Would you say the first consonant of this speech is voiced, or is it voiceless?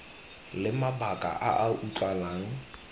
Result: voiced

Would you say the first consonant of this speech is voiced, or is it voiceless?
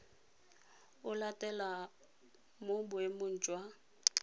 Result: voiced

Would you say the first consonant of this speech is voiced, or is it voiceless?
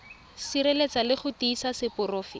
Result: voiceless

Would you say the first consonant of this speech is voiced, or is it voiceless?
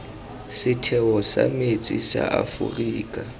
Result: voiceless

